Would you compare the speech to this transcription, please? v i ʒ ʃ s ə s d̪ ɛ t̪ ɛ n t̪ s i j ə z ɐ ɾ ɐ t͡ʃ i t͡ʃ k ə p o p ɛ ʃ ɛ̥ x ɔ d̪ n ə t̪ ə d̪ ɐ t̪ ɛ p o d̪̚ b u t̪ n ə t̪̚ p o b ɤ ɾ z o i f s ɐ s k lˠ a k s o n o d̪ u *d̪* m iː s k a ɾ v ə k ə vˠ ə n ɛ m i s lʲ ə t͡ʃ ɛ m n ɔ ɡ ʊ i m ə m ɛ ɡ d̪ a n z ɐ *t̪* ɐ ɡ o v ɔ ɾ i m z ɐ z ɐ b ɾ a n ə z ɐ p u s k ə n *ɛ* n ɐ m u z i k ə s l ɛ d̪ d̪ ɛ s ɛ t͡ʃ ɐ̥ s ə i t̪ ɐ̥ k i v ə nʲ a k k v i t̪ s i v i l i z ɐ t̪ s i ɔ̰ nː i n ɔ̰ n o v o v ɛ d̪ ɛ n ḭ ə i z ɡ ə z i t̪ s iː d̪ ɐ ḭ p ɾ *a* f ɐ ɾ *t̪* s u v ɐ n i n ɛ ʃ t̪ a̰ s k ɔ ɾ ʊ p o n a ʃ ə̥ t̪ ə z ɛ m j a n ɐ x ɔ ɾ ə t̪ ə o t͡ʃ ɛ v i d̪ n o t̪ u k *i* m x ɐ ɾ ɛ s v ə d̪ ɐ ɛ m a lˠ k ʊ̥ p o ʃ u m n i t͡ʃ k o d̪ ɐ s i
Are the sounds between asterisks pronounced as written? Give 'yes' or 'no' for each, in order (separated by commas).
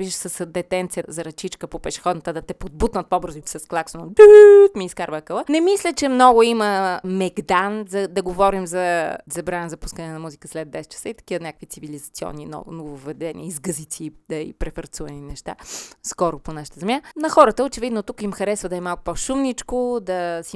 no, no, yes, no, yes, yes